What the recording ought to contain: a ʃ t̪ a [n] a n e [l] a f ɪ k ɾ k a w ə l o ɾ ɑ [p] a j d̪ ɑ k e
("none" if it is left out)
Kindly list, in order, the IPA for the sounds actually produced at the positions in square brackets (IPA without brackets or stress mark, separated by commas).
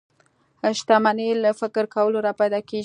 m, l, p